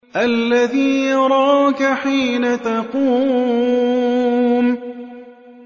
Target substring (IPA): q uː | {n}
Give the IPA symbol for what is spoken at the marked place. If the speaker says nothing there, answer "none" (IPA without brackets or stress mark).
m